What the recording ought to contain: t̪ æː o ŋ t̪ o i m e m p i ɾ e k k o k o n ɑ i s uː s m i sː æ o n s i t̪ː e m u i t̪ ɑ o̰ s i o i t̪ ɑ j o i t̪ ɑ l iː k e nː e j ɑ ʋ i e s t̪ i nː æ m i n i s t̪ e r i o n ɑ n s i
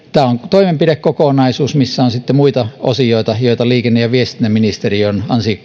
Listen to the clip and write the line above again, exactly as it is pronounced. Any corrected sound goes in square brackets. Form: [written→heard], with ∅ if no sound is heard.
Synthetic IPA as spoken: t̪ æː o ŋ t̪ o i m e m p i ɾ e k k o k o n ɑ i s uː s m i sː æ o n s i t̪ː e m u i t̪ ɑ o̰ s i o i t̪ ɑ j o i t̪ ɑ l iː k e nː e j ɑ ʋ i e s t̪ i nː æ m i n i s t̪ e r i o n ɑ n s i